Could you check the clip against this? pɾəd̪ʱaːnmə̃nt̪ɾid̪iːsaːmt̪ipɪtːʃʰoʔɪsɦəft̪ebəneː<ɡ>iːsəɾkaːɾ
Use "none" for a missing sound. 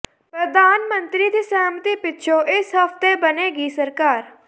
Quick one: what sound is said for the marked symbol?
ɡ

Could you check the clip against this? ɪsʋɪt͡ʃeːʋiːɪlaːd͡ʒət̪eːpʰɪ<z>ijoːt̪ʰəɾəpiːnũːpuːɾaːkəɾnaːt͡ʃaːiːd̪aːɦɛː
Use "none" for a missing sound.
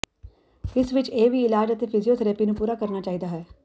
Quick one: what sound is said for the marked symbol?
z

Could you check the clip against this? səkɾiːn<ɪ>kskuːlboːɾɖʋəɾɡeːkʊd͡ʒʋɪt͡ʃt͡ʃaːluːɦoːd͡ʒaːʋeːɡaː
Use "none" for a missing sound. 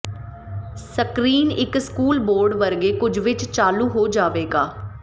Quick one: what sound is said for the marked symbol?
ɪ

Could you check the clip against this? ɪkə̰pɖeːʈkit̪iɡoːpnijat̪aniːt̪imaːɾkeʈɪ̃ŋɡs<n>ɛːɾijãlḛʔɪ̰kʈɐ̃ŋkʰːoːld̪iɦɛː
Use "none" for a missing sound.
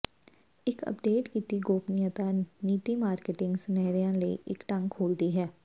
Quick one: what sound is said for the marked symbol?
n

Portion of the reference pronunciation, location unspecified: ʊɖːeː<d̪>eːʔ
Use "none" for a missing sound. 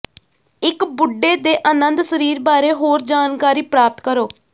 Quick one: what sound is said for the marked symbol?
d̪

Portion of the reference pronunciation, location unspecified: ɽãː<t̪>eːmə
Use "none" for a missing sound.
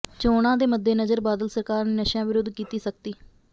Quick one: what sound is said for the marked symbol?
d̪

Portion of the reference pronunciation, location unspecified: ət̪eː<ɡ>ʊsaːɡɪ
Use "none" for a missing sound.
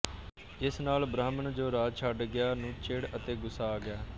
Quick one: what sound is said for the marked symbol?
ɡ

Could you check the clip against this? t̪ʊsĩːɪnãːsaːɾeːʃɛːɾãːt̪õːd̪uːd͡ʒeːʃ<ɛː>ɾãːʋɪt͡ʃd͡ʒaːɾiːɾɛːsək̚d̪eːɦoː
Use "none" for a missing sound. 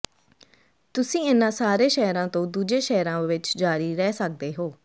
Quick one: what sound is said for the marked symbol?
ɛː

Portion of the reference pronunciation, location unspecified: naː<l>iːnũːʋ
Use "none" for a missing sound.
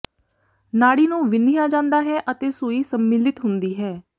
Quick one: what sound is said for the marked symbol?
ɽ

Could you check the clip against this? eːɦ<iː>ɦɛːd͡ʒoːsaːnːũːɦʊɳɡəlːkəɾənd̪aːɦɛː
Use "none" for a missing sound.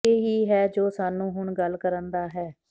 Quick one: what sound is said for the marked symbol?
iː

